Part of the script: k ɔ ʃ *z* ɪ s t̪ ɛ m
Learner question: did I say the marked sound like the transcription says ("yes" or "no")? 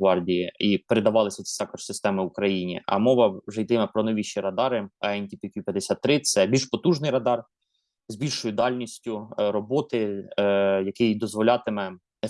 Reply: no